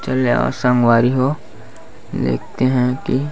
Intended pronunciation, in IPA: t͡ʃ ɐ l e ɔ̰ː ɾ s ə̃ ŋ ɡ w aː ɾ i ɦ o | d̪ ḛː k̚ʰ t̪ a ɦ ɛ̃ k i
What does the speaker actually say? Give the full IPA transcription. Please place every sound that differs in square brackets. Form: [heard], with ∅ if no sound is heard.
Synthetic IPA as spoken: t͡ʃ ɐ l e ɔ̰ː ɾ s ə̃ ŋ ɡ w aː ɾ i ɦ o | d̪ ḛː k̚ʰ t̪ [e] ɦ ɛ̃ k i